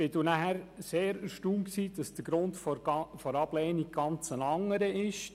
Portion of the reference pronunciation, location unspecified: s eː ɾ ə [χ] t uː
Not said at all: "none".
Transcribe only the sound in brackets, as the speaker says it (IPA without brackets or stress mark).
ʃ